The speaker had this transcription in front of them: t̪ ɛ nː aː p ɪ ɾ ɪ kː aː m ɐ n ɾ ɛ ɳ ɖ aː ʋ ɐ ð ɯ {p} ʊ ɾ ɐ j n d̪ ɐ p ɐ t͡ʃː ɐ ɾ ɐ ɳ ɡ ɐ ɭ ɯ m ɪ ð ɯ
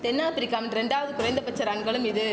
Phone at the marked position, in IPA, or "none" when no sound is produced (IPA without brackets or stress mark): k